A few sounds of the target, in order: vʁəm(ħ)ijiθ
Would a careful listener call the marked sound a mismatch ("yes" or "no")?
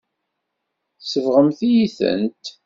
yes